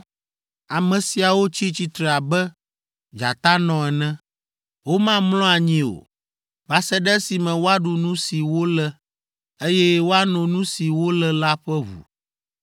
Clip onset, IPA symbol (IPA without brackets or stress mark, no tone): a